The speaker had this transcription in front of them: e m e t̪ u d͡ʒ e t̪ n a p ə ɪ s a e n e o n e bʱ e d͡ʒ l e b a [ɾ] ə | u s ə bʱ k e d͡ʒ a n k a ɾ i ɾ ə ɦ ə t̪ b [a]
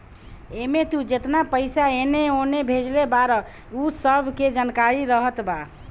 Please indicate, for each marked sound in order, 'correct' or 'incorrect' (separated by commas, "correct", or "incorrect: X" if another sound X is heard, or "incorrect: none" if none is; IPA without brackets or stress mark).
correct, correct